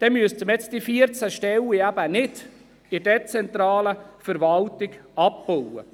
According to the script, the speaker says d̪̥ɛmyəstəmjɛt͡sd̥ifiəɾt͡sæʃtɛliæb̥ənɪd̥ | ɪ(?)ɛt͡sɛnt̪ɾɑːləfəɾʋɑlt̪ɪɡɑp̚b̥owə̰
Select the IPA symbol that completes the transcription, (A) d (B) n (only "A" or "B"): A